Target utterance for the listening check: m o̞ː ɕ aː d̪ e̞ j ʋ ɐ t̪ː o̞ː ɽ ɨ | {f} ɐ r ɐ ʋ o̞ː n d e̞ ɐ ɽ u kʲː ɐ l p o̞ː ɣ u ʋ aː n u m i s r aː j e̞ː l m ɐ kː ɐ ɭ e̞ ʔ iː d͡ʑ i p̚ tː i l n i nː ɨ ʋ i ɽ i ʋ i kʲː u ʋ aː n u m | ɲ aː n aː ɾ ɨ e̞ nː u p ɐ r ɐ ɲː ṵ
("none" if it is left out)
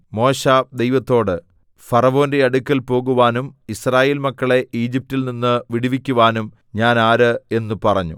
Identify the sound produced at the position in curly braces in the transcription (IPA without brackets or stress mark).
f